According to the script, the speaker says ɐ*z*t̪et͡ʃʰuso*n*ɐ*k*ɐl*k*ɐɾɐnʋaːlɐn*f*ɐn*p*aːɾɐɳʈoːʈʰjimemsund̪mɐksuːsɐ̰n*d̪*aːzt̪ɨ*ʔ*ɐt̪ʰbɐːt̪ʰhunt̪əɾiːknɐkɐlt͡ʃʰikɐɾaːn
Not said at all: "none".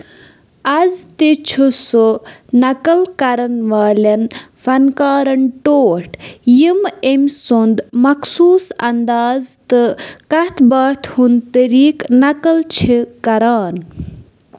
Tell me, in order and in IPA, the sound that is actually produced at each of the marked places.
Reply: z, n, k, k, f, k, d̪, k

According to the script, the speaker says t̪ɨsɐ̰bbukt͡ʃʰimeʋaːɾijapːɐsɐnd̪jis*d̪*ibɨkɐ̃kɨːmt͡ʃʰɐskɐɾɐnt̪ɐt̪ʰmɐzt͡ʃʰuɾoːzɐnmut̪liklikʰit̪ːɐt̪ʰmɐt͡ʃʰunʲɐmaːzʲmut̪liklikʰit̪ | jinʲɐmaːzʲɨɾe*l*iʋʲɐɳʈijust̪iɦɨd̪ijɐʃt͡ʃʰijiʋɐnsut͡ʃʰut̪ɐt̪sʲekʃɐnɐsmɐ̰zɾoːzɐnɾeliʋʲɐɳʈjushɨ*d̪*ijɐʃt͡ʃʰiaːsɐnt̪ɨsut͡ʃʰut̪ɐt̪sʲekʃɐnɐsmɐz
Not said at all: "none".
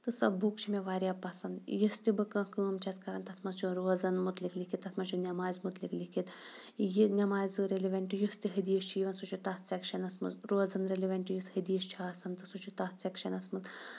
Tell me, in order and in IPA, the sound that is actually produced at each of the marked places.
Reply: t̪, l, d̪

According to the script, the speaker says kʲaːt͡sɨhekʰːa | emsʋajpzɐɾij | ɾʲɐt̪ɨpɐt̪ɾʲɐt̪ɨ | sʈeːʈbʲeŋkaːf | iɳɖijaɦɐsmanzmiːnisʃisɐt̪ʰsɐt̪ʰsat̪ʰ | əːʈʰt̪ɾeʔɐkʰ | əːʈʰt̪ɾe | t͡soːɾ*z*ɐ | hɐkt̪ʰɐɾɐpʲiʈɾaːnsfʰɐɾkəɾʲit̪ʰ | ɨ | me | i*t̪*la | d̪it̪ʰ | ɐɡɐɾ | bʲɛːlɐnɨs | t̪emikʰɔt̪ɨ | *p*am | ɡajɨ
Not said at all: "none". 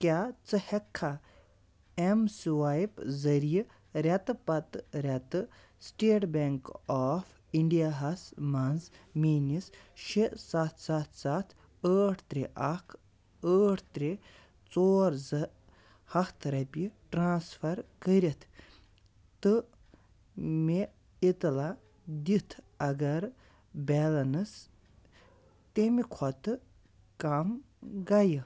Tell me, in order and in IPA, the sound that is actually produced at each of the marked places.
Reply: z, t̪, k

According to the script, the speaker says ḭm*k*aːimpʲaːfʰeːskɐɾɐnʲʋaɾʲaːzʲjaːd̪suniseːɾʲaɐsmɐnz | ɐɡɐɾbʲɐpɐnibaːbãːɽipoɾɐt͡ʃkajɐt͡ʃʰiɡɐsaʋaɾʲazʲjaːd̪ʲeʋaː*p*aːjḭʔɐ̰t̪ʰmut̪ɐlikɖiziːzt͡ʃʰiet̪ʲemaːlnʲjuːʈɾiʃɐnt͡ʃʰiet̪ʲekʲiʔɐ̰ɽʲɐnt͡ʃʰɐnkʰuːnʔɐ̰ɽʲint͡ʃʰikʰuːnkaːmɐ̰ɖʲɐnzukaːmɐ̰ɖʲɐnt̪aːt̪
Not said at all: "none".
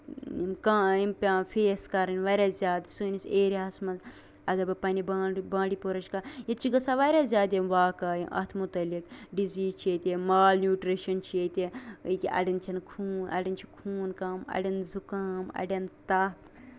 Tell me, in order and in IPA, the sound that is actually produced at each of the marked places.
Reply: k, k

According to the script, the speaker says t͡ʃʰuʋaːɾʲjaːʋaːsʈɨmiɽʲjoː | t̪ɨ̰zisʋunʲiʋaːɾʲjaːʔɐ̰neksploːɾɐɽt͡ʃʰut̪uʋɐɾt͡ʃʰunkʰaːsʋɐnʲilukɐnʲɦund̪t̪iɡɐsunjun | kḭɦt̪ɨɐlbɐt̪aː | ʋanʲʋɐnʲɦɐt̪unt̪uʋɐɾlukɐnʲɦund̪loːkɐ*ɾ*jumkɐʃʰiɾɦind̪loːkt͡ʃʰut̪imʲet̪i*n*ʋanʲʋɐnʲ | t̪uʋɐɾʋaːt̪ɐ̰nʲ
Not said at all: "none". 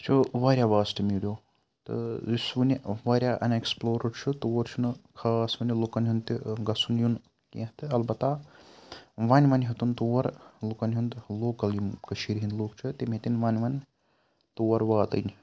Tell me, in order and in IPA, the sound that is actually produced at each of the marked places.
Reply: l, n

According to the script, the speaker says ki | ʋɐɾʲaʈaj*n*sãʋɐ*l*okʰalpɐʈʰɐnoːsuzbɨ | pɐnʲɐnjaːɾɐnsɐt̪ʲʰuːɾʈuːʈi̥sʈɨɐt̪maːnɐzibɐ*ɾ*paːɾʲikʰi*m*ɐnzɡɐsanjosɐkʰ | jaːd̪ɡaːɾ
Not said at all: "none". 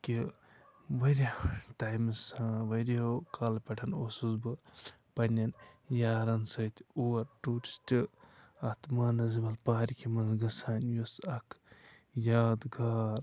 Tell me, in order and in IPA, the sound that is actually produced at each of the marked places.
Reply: m, ɾ, l, m

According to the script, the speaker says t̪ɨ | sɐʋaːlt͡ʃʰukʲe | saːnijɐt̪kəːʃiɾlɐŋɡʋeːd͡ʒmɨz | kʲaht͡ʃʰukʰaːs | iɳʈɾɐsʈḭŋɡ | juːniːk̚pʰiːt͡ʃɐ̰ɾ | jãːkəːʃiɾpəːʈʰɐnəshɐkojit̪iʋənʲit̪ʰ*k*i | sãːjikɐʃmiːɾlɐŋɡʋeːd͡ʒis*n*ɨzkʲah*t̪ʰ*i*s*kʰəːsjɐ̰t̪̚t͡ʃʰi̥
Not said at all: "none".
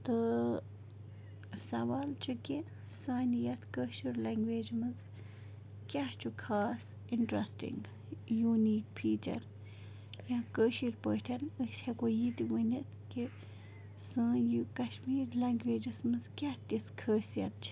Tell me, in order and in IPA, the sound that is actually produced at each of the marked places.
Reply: k, m, t̪, s

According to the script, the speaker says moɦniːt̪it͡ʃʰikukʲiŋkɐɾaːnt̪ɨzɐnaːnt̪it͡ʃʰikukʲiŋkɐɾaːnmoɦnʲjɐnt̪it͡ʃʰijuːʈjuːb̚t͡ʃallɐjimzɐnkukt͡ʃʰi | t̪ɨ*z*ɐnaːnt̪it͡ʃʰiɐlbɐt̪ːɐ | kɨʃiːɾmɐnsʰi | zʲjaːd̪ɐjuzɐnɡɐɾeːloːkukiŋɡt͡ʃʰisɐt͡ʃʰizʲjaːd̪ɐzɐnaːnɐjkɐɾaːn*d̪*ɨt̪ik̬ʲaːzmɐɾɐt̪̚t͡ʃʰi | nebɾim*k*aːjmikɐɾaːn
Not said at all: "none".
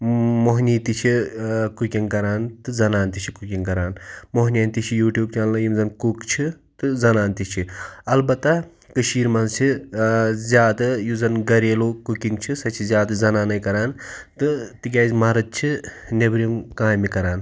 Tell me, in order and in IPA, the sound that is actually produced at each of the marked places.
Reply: z, t̪, k

